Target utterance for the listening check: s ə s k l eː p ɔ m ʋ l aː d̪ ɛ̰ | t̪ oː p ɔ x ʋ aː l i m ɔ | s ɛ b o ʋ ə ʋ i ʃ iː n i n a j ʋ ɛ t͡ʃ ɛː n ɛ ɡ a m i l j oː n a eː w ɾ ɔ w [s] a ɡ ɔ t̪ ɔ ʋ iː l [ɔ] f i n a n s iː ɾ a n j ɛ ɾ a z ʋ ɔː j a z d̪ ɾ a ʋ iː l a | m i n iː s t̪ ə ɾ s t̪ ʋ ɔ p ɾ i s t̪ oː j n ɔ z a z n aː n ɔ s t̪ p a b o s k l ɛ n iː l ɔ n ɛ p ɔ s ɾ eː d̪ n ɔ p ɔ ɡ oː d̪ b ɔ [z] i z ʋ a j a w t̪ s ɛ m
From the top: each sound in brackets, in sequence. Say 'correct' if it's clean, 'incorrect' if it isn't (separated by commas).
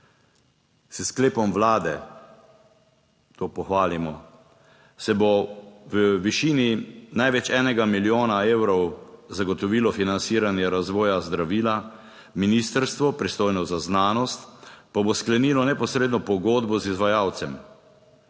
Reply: incorrect, correct, correct